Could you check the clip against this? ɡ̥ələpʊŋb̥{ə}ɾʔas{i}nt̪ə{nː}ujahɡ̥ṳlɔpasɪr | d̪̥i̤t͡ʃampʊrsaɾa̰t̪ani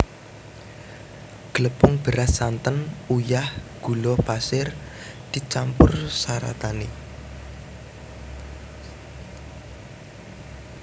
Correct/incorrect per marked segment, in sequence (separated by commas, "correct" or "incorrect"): correct, incorrect, incorrect